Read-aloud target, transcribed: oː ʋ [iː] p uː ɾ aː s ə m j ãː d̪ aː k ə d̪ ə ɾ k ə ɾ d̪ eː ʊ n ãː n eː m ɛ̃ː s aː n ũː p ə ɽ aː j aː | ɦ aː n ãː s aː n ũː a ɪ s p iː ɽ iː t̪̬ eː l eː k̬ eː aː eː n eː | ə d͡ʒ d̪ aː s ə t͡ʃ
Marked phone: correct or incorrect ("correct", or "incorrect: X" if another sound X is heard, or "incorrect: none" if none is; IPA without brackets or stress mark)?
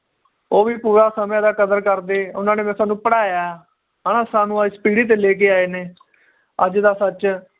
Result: correct